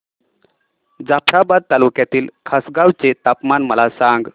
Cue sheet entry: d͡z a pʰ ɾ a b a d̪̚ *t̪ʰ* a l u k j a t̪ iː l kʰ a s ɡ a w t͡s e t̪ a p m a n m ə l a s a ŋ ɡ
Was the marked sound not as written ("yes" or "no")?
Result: yes